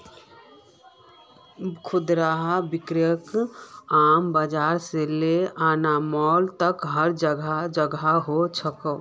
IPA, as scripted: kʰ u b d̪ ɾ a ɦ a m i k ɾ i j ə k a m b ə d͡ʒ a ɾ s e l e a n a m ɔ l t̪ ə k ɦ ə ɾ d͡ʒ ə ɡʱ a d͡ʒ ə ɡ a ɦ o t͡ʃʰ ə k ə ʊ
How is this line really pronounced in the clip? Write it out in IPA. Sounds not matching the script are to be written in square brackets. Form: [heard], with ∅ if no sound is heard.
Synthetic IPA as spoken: kʰ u [∅] d̪ ɾ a ɦ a [b] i k ɾ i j ə k a m b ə d͡ʒ a ɾ s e l e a n a m ɔ l t̪ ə k ɦ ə ɾ d͡ʒ ə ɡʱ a d͡ʒ ə ɡ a ɦ o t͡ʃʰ ə k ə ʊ